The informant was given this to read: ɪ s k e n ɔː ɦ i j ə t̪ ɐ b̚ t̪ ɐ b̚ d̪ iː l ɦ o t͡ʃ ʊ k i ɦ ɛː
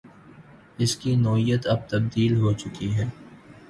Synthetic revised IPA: ɪ s k i n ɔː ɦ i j ə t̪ ɐ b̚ t̪ ɐ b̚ d̪ iː l ɦ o t͡ʃ ʊ k i ɦ ɛː